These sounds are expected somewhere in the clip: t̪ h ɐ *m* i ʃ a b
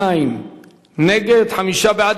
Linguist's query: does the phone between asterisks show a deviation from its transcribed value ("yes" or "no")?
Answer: no